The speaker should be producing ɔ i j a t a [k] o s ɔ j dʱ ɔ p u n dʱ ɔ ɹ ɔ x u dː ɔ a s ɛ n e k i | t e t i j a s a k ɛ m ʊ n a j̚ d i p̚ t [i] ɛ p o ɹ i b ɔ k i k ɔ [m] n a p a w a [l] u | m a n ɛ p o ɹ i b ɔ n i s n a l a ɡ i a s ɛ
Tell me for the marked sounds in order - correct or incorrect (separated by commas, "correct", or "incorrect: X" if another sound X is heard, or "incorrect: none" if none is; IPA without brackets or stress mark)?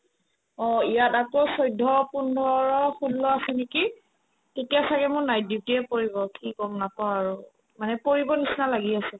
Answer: correct, correct, correct, incorrect: ɹ